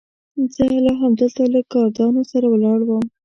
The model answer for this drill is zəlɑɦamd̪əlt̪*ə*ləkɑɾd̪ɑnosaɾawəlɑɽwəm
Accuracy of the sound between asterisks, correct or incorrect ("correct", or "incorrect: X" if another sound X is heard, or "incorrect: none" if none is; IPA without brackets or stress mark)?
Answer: incorrect: a